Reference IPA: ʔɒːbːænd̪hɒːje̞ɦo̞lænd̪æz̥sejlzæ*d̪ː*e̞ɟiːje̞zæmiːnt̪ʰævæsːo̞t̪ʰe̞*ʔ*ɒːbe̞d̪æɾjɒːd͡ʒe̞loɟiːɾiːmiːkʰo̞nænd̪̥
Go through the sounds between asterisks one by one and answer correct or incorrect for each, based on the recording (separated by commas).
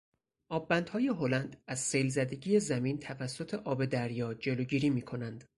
incorrect, correct